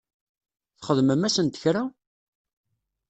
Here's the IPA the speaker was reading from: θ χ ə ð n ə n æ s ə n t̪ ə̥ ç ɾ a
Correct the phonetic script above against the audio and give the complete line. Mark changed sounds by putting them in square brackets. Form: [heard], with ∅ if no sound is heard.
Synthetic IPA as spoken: θ χ ə ð [m] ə [m] æ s ə n t̪ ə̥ ç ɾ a